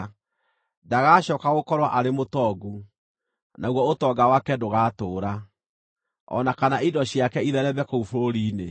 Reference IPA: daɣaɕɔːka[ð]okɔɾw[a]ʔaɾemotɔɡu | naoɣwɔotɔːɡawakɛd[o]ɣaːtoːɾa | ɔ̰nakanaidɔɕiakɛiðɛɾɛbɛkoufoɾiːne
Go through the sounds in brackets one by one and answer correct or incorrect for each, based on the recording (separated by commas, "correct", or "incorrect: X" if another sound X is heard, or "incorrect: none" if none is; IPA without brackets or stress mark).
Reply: incorrect: ɣ, correct, correct